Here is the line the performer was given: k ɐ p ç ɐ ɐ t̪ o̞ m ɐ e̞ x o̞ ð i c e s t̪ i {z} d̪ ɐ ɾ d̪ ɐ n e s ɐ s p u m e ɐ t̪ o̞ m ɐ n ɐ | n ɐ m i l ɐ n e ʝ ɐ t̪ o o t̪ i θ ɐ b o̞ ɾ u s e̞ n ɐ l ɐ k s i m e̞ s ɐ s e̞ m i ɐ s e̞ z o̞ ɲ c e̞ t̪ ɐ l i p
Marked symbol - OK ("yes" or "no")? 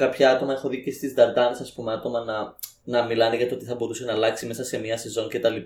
yes